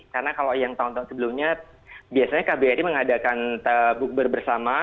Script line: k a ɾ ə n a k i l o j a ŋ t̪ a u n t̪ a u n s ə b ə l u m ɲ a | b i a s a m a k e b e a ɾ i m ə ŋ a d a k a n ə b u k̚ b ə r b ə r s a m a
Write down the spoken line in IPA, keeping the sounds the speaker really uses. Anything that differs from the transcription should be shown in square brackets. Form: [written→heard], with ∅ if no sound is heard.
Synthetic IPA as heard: k a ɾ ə n a k [i→a] l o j a ŋ t̪ a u n t̪ a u n s ə b ə l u m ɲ a | b i a s a [m→ɲ] a k [e→a] b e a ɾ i m ə ŋ a d a k a n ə b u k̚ b ə r b ə r s a m a